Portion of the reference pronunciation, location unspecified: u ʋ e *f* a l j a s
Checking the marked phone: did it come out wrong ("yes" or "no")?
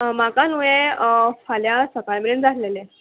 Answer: no